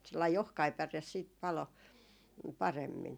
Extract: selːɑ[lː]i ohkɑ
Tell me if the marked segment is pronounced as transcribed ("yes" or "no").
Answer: no